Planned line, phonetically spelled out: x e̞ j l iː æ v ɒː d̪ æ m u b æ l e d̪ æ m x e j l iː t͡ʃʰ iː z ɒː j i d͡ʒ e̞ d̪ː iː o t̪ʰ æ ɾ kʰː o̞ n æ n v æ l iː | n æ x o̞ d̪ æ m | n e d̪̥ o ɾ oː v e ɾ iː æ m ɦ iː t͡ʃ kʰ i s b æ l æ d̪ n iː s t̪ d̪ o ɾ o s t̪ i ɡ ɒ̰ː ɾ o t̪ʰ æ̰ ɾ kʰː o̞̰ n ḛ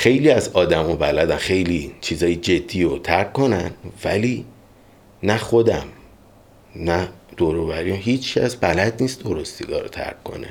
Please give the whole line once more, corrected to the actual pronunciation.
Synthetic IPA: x e̞ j l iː æ z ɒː d̪ æ m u b æ l æ d̪ æ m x e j l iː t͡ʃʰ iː z ɒː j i d͡ʒ e̞ d̪ː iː o t̪ʰ æ ɾ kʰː o̞ n æ n v æ l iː | n æ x o̞ d̪ æ m | n æ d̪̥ o ɾ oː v æ ɾ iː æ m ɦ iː t͡ʃ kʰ æ s b æ l æ d̪ n iː s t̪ d̪ o ɾ o s t̪ i ɡ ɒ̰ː ɾ o t̪ʰ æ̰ ɾ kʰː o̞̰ n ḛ